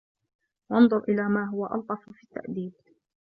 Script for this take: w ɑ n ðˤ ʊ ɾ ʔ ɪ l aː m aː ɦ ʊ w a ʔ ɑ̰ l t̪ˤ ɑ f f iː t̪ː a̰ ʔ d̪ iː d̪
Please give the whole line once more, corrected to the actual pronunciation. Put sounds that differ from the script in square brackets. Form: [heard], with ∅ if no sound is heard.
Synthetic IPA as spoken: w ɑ n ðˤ ʊ ɾ ʔ ɪ l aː m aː ɦ ʊ w a ʔ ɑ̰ l t̪ˤ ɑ f f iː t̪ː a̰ ʔ d̪ iː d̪